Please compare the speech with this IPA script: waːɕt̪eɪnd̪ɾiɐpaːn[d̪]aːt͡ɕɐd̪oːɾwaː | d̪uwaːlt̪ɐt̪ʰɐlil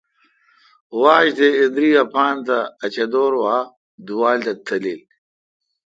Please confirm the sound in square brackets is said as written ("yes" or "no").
no